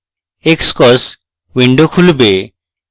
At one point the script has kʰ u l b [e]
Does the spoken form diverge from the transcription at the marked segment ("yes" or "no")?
no